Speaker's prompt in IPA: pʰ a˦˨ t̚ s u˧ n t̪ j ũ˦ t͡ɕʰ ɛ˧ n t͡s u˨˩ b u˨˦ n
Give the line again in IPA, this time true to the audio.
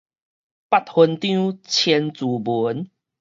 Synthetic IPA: p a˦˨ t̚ h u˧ n t̪ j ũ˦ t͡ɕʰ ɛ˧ n t͡s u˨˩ b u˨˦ n